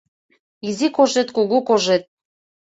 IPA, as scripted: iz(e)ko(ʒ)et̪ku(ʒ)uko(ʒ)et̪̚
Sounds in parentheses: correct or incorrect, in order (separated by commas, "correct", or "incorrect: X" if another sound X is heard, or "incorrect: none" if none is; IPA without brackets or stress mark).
incorrect: i, correct, incorrect: ɣ, correct